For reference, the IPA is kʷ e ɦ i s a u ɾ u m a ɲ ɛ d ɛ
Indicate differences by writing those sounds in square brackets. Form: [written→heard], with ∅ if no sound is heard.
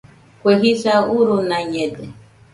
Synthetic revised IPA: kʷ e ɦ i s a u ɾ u [m→n] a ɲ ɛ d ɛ